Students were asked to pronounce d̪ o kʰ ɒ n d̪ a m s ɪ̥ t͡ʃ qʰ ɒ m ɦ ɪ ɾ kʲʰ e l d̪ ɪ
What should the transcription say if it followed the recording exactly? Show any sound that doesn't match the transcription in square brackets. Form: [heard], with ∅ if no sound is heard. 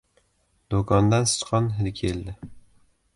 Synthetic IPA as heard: d̪ o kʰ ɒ n d̪ a [n] s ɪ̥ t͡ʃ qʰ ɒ [n] ɦ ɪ [l] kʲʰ e l d̪ ɪ